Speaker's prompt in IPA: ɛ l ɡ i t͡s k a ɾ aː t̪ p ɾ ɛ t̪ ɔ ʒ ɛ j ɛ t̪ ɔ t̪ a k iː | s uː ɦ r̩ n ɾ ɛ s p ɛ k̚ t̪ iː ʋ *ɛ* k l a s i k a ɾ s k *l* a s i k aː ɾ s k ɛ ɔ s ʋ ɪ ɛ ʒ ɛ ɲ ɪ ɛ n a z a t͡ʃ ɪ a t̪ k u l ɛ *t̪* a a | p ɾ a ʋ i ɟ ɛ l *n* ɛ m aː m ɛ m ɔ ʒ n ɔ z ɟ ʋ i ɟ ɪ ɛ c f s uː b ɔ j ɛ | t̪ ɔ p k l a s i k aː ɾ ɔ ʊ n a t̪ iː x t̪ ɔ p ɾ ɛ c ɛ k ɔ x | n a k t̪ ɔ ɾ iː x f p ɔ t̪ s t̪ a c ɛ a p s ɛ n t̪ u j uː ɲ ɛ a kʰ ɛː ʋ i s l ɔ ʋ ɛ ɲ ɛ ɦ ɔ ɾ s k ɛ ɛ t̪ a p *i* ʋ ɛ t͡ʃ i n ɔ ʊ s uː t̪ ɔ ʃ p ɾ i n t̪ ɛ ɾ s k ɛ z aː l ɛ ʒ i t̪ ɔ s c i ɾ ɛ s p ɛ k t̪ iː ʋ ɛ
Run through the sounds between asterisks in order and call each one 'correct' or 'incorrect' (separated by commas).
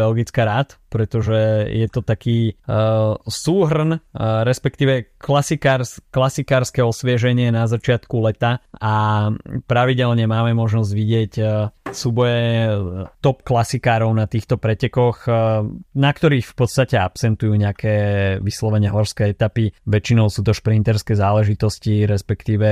correct, correct, correct, incorrect, correct